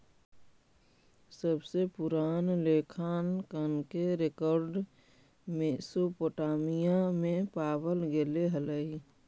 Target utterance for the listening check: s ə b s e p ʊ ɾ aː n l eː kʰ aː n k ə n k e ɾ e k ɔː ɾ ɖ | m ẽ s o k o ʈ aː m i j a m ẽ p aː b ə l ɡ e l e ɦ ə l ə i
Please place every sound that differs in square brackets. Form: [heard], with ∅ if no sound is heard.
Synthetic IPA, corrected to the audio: s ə b s e p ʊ ɾ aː n l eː kʰ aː n k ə n k e ɾ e k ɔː ɾ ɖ | m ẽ s o [p] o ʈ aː m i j a m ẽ p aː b ə l ɡ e l e ɦ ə l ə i